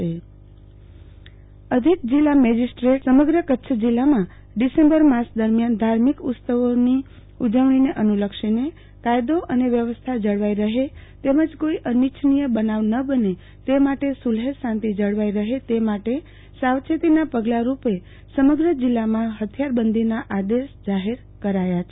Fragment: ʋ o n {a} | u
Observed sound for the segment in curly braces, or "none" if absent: i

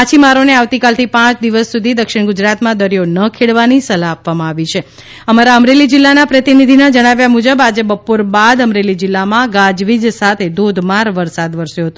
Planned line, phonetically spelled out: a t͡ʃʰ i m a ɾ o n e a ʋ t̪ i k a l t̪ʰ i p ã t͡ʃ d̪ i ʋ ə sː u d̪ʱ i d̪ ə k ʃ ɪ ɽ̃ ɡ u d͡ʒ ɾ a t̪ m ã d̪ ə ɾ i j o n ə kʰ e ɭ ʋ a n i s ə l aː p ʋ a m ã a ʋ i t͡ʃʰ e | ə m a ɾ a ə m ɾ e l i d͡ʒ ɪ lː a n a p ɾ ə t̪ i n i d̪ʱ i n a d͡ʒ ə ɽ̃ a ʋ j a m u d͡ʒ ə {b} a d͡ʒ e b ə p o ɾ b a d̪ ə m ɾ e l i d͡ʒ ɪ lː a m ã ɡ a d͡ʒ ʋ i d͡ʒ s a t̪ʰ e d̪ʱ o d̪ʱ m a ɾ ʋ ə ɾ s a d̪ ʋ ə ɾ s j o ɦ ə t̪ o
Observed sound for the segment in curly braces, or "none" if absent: b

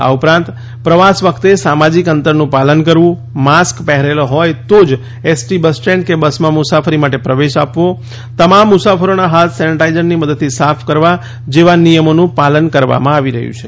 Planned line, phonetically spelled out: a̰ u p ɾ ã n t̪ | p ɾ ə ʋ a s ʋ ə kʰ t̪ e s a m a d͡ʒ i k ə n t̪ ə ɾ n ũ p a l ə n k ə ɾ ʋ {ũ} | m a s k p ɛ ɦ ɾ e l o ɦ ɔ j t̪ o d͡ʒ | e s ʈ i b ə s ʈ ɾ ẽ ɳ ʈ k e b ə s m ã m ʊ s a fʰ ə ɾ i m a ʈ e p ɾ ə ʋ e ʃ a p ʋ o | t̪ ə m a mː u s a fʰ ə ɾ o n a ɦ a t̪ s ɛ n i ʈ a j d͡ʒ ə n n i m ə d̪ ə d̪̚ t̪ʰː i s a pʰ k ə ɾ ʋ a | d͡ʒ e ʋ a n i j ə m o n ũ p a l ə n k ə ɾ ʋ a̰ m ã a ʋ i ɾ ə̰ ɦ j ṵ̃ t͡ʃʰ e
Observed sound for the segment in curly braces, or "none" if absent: ũ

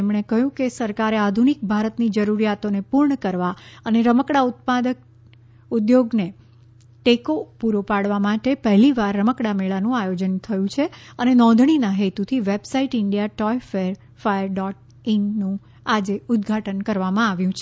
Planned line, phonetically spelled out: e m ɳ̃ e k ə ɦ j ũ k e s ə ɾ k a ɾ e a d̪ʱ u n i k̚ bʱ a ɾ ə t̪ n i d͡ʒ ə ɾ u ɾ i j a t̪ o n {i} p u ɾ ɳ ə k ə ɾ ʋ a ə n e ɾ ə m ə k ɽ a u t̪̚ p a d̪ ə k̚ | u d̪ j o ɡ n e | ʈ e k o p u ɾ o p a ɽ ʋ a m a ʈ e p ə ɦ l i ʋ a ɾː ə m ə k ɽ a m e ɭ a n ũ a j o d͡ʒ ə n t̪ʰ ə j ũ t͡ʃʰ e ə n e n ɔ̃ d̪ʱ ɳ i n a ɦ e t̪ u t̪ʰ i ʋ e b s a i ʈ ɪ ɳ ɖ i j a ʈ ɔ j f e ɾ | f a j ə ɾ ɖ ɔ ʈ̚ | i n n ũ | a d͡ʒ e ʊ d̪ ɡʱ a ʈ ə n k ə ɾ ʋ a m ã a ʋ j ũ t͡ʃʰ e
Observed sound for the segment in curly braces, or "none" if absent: e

